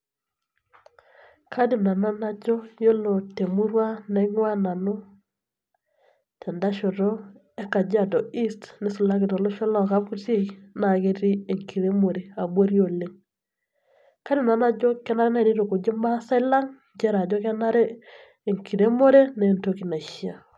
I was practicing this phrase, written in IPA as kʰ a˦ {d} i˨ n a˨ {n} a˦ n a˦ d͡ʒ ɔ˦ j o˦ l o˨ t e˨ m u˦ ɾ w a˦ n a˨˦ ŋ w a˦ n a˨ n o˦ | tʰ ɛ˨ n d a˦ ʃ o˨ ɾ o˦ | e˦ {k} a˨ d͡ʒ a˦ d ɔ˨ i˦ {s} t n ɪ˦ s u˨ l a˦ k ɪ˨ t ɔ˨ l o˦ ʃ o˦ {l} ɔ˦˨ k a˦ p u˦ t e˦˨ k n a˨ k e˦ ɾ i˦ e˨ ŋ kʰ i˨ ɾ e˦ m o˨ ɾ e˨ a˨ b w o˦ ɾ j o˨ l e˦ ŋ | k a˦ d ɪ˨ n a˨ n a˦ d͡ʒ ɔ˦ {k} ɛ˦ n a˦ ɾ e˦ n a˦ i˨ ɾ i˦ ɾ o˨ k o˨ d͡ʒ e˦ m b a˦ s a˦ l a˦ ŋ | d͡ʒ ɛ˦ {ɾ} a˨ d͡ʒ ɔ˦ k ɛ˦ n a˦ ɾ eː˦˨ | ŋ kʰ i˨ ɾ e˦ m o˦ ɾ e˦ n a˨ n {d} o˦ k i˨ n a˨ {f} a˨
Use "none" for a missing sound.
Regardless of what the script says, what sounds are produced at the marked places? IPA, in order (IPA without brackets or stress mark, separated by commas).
d, n, k, s, l, k, ɾ, t, ʃ